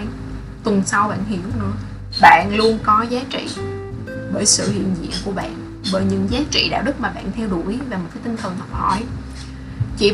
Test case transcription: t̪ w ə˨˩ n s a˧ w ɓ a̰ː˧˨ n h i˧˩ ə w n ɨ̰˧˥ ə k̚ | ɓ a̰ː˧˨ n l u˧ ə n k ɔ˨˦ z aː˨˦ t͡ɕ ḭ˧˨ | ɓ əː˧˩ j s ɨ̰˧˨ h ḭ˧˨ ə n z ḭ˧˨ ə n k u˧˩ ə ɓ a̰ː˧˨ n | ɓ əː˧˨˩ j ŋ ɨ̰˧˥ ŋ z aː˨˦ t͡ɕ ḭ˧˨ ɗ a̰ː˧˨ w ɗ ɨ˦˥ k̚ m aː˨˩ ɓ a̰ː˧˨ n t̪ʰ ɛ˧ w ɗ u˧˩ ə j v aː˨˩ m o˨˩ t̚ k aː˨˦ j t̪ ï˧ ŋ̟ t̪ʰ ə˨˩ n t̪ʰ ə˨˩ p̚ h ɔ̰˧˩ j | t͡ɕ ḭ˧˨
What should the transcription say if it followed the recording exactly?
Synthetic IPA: t̪ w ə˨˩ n s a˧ w ɓ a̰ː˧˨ n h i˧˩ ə w n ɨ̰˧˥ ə | ɓ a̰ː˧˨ n l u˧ ə n k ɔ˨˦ z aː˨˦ t͡ɕ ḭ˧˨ | ɓ əː˧˩ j s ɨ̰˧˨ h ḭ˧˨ ə n z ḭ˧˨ ə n k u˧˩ ə ɓ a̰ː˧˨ n | ɓ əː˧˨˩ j ɲ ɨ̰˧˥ ŋ z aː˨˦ t͡ɕ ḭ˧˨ ɗ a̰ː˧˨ w ɗ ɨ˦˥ k̚ m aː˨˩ ɓ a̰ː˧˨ n t̪ʰ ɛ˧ w ɗ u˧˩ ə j v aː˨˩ m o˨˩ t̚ k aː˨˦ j t̪ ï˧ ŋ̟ t̪ʰ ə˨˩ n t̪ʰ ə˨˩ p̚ h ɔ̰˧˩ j | t͡ɕ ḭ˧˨